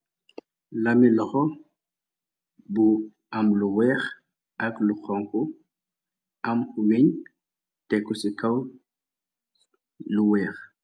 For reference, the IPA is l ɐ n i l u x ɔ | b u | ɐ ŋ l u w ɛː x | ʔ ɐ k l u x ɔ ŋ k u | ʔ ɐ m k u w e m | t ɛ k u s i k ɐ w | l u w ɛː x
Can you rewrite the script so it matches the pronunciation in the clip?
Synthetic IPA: l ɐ m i l ɔ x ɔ | b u | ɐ m l u w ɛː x | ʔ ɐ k l u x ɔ ŋ k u | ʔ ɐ m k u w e ɲ | t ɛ k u s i k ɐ w | l u w ɛː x